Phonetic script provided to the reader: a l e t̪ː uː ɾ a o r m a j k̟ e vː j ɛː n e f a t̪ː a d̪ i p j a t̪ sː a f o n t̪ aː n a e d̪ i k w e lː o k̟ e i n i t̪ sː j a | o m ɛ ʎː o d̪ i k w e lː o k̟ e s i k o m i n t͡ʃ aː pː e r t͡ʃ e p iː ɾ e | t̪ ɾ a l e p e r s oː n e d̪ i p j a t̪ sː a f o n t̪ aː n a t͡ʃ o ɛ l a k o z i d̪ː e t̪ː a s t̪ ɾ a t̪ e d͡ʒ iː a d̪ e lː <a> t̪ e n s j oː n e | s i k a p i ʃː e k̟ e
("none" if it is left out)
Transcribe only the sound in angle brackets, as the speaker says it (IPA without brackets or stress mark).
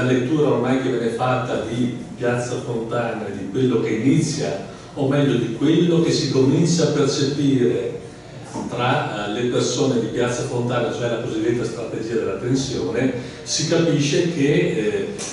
a